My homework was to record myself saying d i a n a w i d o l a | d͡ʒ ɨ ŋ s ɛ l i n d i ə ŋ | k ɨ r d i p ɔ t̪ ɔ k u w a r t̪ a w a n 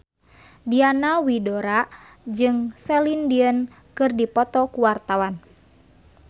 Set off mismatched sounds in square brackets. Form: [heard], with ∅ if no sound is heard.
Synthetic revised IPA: d i a n a w i d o [ɾ] a | d͡ʒ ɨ ŋ s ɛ l i n d i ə [n] | k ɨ r d i p ɔ t̪ ɔ k u w a r t̪ a w a n